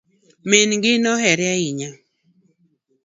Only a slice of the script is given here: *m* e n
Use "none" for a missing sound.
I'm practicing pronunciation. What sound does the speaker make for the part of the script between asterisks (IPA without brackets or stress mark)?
m